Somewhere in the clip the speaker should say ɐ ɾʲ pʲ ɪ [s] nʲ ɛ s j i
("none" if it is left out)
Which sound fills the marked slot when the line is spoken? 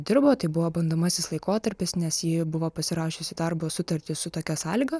s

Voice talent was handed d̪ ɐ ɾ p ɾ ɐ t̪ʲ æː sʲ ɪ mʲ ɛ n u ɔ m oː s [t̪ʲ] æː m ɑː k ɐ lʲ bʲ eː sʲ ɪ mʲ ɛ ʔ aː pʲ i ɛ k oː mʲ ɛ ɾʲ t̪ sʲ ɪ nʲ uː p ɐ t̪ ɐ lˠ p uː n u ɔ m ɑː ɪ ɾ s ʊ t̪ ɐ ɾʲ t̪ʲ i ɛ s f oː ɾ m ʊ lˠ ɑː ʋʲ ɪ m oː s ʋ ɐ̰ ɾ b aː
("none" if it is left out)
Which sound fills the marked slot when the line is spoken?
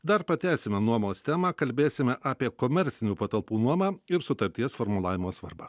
t̪ʲ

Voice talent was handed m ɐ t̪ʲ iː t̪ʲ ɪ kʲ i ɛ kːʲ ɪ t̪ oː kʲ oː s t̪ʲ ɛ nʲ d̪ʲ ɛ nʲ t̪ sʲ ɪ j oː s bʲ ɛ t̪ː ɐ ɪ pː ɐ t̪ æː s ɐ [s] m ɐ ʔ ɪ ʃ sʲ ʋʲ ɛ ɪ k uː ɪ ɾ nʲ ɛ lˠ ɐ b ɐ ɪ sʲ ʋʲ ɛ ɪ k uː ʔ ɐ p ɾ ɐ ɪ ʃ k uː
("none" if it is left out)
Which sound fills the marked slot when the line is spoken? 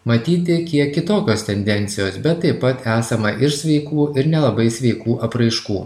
none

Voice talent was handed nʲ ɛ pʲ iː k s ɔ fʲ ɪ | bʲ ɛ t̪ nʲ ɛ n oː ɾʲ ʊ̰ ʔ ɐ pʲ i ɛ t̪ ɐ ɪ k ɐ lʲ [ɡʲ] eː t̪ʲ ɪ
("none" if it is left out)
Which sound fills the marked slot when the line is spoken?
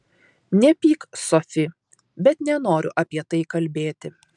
bʲ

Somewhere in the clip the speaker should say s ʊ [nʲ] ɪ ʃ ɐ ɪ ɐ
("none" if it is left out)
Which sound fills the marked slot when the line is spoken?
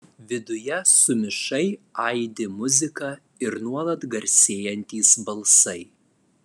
mʲ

